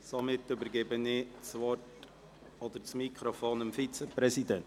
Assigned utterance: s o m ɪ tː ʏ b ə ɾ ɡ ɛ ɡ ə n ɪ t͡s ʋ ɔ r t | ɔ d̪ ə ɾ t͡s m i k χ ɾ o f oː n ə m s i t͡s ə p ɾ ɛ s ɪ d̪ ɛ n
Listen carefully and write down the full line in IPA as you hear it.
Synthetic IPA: s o m ɪ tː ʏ b ə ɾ ɡ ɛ b ə n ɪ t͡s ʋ ɔ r t | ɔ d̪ ə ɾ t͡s m i k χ ɾ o f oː n ə m f i t͡s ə p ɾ ɛ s i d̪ ɛ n